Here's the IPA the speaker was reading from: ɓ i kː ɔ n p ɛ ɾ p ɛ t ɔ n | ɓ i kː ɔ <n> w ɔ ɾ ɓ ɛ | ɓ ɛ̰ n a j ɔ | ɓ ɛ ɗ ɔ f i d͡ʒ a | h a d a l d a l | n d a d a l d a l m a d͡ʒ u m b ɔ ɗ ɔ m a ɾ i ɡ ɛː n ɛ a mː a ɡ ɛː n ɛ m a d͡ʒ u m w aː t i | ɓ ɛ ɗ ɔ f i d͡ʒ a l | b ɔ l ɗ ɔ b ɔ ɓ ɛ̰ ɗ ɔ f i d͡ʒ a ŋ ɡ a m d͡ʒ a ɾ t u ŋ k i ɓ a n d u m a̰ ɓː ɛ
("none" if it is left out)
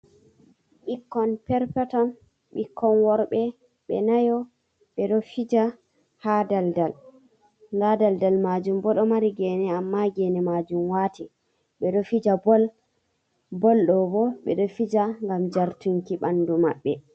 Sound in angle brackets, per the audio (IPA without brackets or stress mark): n